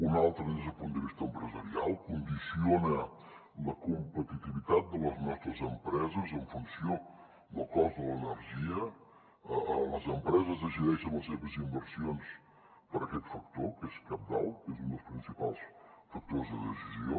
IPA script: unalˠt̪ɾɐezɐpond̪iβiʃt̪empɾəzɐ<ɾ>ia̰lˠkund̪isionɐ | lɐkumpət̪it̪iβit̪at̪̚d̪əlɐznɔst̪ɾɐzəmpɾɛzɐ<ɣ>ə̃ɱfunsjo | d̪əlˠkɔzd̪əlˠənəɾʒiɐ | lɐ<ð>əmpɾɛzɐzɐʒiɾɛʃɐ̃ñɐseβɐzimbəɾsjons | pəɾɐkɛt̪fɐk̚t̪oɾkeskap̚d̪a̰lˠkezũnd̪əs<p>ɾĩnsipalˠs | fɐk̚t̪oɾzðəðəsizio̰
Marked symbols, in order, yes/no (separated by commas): yes, no, no, yes